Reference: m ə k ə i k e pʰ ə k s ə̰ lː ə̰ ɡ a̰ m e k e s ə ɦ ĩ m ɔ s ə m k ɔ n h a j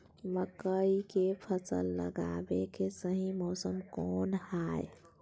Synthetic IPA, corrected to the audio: m ə k ə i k e pʰ ə s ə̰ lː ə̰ ɡ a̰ b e k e s ə ɦ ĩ m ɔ s ə m k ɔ n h a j